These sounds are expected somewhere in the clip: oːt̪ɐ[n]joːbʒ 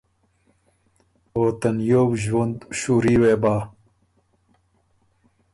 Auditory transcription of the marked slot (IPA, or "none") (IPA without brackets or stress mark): n